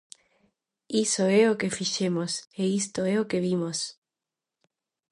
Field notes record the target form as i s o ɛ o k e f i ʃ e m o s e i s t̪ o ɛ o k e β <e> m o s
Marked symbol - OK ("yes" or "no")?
no